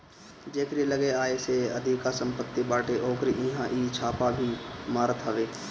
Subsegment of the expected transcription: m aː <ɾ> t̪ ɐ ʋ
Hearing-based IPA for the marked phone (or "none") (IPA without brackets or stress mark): ɾ